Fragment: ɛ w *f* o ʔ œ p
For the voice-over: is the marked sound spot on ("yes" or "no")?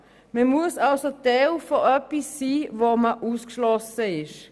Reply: yes